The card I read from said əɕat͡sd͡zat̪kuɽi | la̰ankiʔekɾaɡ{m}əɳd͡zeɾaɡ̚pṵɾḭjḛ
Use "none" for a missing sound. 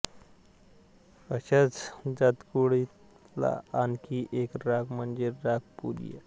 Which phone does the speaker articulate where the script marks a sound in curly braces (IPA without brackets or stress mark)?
m